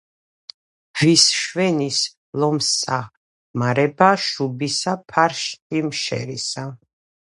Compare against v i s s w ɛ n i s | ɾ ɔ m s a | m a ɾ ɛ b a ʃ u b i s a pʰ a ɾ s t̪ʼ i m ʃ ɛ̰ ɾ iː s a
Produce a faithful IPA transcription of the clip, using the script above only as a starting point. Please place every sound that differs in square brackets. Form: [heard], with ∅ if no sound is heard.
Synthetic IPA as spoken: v i s [ʃ] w ɛ n i s | [l] ɔ m s a | m a ɾ ɛ b a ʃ u b i s a pʰ a ɾ [ʃ] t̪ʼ i m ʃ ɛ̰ ɾ [i] s a

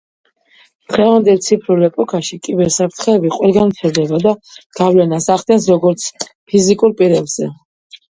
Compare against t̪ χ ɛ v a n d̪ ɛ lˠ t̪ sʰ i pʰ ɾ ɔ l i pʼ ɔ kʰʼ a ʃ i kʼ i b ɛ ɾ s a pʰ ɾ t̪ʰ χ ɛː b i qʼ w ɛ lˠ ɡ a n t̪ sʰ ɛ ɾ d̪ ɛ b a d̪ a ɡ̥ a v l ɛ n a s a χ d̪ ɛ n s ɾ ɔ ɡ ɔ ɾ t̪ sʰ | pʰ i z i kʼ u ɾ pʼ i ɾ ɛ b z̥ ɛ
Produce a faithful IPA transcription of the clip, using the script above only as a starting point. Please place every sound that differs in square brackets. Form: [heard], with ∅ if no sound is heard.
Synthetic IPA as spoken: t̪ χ ɛ v a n d̪ ɛ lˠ t̪ sʰ i pʰ ɾ [u] l [ɛ] pʼ ɔ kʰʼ a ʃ i kʼ i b ɛ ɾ s a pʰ ɾ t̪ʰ χ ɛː b i qʼ w ɛ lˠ ɡ a n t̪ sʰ ɛ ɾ d̪ ɛ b a d̪ a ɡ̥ a v l ɛ n a s a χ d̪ ɛ n s ɾ ɔ ɡ ɔ ɾ t̪ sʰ | pʰ i z i kʼ u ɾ pʼ i ɾ ɛ b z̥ ɛ

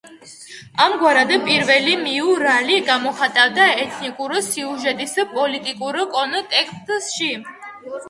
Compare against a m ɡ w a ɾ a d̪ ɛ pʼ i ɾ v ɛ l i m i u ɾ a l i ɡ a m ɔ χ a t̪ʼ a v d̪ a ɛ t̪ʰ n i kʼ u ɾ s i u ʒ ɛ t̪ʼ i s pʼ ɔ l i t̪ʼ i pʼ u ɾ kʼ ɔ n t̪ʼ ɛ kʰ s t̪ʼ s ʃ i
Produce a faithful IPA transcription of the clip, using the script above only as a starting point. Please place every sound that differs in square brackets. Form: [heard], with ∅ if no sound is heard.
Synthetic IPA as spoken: a m ɡ w a ɾ a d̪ ɛ pʼ i ɾ v ɛ l i m i u ɾ a l i ɡ a m ɔ χ a t̪ʼ a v d̪ a ɛ t̪ʰ n i kʼ u ɾ s i u ʒ ɛ t̪ʼ i s pʼ ɔ l i t̪ʼ i [kʼ] u ɾ kʼ ɔ n t̪ʼ ɛ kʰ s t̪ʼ s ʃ i

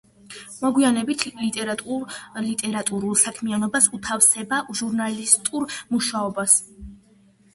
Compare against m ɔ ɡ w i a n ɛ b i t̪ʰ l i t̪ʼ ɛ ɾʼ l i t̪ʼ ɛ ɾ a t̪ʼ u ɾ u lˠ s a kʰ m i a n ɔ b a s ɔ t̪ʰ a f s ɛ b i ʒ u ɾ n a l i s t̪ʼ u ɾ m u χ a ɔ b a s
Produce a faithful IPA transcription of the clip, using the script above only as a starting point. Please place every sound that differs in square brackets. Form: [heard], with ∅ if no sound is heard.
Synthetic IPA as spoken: m ɔ ɡ w i a n ɛ b i t̪ʰ l i t̪ʼ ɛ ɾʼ l i t̪ʼ ɛ ɾ a t̪ʼ u ɾ u lˠ s a kʰ m i a n ɔ b a s [u] t̪ʰ a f s ɛ b [a] ʒ u ɾ n a l i s t̪ʼ u ɾ m u [ʃ] a ɔ b a s

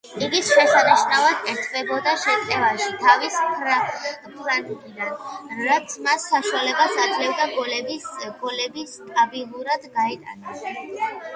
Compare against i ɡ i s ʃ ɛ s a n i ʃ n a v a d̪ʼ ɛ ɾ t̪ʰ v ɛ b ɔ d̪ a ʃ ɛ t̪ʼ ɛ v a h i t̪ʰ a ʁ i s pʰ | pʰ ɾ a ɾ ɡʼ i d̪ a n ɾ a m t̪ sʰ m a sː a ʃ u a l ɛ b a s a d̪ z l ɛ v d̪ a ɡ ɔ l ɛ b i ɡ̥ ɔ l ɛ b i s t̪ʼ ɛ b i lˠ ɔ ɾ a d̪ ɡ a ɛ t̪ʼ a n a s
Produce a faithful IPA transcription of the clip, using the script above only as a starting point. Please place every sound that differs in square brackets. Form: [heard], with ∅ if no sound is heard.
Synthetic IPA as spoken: i ɡ i s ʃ ɛ s a n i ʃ n a v a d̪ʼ ɛ ɾ t̪ʰ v ɛ b ɔ d̪ a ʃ ɛ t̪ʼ ɛ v a [ʃ] i t̪ʰ a [v] i s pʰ | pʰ ɾ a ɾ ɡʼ i d̪ a n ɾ a [∅] t̪ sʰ m a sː a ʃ u a l ɛ b a s a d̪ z l ɛ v d̪ a ɡ ɔ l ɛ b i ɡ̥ ɔ l ɛ b i s t̪ʼ [a] b i lˠ [u] ɾ a d̪ ɡ a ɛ t̪ʼ a n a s

